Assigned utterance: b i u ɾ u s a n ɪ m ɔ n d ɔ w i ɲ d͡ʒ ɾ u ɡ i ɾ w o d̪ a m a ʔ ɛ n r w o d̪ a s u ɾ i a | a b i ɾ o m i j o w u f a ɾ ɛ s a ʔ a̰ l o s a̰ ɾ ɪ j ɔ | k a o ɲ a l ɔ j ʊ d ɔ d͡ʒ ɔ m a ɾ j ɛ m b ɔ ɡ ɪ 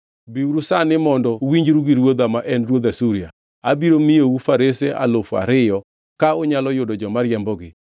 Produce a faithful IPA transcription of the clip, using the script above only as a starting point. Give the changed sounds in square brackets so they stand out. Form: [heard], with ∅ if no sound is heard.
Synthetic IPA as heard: b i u ɾ u s a n ɪ m ɔ n d ɔ w i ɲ d͡ʒ ɾ u ɡ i ɾ w o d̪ a m a ʔ ɛ n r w o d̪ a s u ɾ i a | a b i ɾ o m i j o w u f a ɾ [e] s [e] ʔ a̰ l o [f] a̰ ɾ ɪ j ɔ | k a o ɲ a l ɔ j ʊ d ɔ d͡ʒ ɔ m a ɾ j ɛ m b ɔ ɡ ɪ

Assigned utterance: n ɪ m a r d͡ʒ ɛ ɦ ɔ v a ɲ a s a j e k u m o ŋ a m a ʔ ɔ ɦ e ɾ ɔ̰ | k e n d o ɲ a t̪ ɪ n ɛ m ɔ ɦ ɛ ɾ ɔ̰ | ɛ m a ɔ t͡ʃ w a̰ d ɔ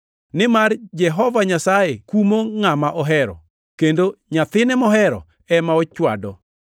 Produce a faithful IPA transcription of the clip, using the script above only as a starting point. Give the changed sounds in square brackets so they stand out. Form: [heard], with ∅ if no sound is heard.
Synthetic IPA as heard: n ɪ m a r d͡ʒ ɛ ɦ ɔ v a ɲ a s a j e k u m o ŋ a m a ʔ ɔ ɦ [ɛ] ɾ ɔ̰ | k e n d o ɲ a t̪ ɪ n ɛ m ɔ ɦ ɛ ɾ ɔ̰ | ɛ m a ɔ t͡ʃ w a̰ d ɔ

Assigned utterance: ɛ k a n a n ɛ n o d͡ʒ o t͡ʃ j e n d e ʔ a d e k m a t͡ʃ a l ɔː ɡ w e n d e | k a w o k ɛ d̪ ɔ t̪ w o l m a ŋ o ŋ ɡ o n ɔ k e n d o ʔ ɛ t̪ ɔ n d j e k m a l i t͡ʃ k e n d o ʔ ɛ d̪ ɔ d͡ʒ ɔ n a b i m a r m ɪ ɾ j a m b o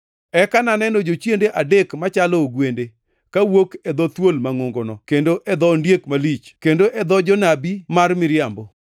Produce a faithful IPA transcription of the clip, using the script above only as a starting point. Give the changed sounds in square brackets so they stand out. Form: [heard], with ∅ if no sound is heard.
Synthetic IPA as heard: ɛ k a n a n ɛ n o d͡ʒ o t͡ʃ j e n d e ʔ a d e k m a t͡ʃ a l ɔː ɡ w e n d e | k a w o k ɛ d̪ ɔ t̪ w o l m a ŋ o ŋ ɡ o n ɔ k e n d o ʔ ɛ [d̪] ɔ n d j e k m a l i t͡ʃ k e n d o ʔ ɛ d̪ ɔ d͡ʒ ɔ n a b i m a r m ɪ ɾ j a m b o

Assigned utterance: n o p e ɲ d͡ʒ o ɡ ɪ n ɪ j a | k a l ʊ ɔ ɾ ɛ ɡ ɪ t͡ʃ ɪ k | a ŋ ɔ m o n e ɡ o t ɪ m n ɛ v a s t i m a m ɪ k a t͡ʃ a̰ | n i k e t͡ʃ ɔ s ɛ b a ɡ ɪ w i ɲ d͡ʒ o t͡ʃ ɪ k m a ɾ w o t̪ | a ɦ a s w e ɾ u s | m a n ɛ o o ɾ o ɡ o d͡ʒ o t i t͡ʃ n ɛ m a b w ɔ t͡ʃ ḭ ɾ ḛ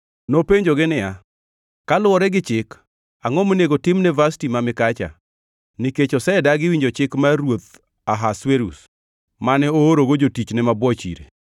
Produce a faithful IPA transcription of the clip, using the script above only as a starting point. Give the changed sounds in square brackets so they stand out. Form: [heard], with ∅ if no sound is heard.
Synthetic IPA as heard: n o p e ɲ d͡ʒ o ɡ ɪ n ɪ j a | k a l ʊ ɔ ɾ ɛ ɡ ɪ t͡ʃ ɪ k | a ŋ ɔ m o n e ɡ o t ɪ m n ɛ v a s t i m a m ɪ k a t͡ʃ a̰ | n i k e t͡ʃ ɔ s ɛ [d] a ɡ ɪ w i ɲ d͡ʒ o t͡ʃ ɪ k m a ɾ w o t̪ | a ɦ a s w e ɾ u s | m a n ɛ o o ɾ o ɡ o d͡ʒ o t i t͡ʃ n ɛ m a b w ɔ t͡ʃ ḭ ɾ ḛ

